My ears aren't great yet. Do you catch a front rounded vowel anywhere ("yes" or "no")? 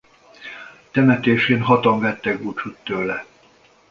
yes